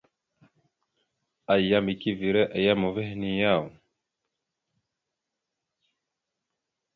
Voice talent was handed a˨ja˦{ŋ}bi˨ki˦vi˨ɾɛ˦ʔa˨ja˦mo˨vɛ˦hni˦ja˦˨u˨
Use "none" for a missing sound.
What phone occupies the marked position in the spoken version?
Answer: m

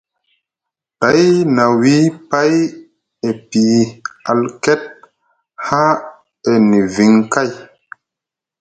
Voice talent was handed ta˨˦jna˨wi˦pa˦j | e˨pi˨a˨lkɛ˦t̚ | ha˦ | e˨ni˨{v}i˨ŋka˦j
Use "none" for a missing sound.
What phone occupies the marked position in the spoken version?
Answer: v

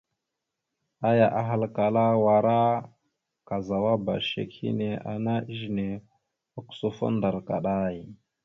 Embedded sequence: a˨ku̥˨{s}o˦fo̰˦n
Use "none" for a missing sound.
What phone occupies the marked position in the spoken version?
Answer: s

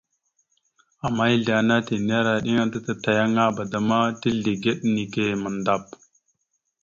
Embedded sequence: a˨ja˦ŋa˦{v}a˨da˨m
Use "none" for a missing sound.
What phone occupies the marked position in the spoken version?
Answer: b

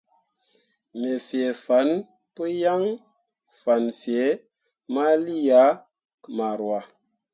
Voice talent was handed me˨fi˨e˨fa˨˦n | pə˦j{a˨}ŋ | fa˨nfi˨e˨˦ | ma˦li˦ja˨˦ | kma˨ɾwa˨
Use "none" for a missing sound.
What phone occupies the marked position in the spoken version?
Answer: a˦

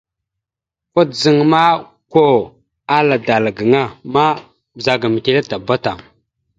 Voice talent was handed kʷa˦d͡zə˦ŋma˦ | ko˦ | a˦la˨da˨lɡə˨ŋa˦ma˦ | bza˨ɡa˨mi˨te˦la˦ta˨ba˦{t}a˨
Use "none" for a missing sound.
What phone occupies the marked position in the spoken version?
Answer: t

